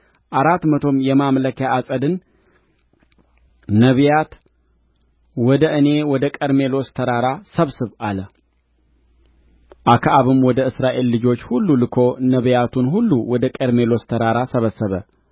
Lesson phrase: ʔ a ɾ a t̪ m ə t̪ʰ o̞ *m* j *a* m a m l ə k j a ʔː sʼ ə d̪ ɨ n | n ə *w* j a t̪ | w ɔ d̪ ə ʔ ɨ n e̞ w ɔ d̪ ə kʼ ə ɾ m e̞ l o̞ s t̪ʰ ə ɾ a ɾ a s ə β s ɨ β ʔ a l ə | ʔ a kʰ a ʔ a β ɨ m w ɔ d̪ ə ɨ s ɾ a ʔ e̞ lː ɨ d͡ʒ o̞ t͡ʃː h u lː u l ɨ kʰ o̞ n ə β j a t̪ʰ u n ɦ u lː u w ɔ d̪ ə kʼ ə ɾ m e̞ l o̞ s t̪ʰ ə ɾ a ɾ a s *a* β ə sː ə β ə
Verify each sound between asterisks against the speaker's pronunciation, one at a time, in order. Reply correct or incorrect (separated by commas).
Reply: correct, incorrect, incorrect, incorrect